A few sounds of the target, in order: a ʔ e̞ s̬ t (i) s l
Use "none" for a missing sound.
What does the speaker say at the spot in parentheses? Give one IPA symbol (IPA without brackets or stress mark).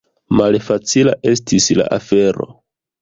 i